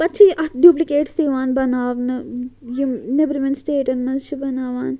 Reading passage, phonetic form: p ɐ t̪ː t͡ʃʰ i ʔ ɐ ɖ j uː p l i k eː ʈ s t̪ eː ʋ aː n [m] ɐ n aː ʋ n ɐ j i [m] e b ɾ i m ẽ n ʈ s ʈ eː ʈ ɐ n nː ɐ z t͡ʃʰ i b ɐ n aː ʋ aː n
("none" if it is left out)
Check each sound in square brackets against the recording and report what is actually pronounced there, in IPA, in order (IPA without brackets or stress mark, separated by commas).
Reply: b, n